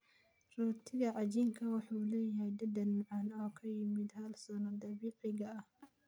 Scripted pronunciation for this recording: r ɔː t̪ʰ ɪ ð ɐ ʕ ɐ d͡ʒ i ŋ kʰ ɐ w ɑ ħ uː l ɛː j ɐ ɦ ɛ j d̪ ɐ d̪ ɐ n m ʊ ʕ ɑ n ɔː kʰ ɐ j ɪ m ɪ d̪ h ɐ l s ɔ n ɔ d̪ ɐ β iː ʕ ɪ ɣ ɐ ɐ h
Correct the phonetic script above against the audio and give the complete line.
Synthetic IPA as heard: r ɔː t̪ʰ ɪ ɣ ɐ ʕ ɑ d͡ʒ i ŋ kʰ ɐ w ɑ ħ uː l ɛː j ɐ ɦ ɛ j d̪ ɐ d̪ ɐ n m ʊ ʕ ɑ n ɔː kʰ ɐ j ɪ m ɪ d̪ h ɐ l s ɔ n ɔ d̪ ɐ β iː ʕ ɪ ɣ ɐ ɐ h